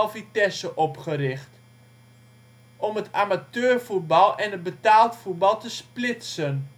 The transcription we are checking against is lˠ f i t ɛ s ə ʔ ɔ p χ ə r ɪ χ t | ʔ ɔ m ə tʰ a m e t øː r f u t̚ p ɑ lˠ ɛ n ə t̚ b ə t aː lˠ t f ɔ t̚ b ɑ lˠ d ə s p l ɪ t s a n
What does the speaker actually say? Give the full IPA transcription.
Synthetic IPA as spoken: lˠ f i t ɛ s ə ʔ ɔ p χ ə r ɪ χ t | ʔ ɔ m ə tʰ a m a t øː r f u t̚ b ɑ lˠ ɛ n ə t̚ b ə t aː lˠ t f u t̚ b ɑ lˠ t ə s p l ɪ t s ə n